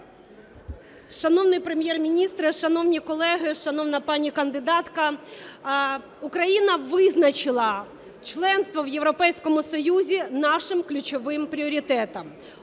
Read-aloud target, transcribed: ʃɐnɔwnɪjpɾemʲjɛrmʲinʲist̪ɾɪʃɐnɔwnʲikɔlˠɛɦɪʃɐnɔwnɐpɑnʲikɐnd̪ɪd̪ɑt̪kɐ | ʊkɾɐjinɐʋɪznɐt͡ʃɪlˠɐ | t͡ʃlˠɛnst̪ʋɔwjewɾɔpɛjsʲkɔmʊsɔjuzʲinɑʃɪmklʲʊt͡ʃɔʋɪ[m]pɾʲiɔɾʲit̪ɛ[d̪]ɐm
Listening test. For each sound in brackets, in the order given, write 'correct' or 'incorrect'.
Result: correct, incorrect: t̪

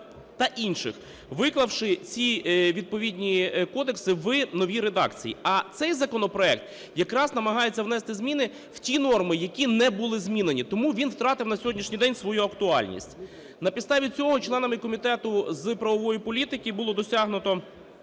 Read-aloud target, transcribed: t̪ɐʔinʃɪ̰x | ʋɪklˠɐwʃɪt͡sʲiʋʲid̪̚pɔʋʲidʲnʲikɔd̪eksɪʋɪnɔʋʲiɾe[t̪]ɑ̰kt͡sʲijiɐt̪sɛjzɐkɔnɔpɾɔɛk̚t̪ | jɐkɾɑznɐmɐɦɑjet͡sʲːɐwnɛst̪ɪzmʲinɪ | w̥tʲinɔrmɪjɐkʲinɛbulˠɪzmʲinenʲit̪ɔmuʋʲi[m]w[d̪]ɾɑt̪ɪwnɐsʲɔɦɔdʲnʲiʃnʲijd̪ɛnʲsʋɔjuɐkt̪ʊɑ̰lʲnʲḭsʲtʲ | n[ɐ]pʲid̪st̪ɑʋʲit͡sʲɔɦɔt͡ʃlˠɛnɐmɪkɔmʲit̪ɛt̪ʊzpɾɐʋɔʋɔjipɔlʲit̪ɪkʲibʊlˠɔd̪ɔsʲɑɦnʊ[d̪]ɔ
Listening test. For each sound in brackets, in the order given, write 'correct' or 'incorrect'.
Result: incorrect: d̪, incorrect: n, incorrect: t̪, correct, incorrect: t̪

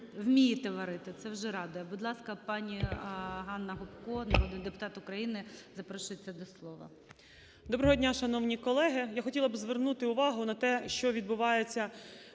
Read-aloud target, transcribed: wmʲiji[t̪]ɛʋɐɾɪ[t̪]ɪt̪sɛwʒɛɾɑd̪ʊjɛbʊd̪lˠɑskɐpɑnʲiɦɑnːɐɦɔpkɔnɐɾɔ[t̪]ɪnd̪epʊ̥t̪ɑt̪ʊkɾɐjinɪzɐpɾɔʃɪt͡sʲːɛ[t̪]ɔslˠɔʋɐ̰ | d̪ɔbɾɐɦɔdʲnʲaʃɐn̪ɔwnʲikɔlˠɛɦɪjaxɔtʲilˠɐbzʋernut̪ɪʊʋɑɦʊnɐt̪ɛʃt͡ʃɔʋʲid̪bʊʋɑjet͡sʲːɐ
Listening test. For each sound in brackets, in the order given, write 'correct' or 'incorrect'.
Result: correct, correct, incorrect: d̪, incorrect: d̪

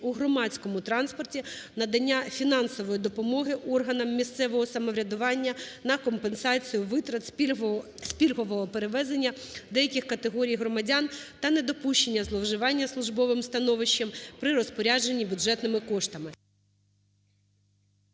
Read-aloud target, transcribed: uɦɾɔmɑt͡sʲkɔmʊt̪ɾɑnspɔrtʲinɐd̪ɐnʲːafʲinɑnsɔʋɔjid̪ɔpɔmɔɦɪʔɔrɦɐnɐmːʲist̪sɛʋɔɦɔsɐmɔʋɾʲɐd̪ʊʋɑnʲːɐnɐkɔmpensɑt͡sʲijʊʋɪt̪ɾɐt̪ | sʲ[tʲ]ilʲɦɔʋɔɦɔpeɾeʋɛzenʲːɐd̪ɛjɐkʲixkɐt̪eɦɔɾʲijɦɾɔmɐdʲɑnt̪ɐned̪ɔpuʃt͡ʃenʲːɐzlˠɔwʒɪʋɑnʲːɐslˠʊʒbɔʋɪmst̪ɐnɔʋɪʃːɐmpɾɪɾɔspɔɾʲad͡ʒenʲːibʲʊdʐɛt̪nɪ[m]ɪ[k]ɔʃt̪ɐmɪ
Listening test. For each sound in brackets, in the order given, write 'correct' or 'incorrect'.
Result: incorrect: pʲ, correct, correct

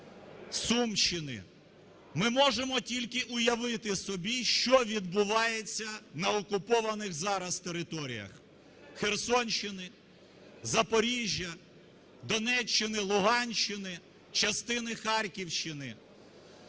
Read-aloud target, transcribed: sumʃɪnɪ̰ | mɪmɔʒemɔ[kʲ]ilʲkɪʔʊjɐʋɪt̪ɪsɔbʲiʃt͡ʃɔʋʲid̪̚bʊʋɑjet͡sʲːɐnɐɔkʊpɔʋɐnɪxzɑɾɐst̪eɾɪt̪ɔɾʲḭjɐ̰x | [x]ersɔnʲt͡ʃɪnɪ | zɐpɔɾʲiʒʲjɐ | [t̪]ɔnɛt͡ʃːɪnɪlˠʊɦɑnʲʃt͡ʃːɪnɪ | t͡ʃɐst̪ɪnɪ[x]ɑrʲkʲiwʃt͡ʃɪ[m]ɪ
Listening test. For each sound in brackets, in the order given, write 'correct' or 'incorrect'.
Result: incorrect: tʲ, correct, incorrect: d̪, correct, incorrect: n

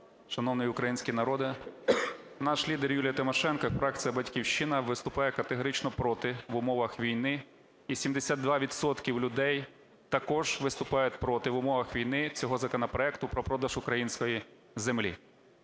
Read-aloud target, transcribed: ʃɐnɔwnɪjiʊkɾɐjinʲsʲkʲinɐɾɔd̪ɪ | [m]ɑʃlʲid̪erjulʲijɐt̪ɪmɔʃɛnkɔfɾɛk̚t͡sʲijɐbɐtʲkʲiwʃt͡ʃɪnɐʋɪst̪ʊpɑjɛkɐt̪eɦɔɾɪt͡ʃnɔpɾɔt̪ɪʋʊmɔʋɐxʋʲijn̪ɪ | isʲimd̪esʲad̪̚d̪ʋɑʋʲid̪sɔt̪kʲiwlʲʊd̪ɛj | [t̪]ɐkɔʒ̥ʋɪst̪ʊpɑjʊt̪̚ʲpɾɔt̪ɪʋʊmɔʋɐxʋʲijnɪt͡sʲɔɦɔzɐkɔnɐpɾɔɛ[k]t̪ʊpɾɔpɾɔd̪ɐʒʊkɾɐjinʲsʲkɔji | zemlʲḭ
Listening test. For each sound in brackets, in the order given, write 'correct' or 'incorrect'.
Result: incorrect: n, correct, correct

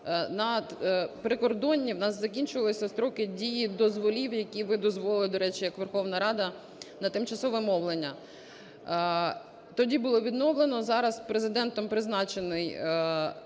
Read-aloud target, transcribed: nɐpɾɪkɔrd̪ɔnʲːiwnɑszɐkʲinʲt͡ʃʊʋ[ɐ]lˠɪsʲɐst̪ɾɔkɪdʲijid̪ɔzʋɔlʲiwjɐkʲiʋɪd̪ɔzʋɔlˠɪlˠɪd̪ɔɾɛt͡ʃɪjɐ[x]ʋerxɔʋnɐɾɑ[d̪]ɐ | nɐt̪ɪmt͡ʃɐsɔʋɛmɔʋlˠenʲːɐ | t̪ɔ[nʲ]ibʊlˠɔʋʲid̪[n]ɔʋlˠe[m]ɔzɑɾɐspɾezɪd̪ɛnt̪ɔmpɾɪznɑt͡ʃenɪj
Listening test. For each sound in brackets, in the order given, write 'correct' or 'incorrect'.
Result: correct, incorrect: k, correct, incorrect: dʲ, correct, incorrect: n

